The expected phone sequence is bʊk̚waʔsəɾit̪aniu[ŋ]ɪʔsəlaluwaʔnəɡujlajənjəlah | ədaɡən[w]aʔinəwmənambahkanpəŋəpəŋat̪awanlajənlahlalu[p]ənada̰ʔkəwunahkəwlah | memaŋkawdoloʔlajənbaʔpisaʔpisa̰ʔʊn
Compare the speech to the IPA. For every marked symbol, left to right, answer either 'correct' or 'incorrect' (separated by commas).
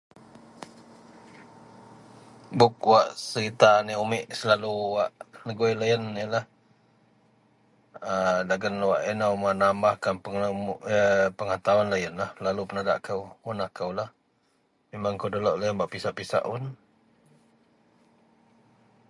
incorrect, correct, correct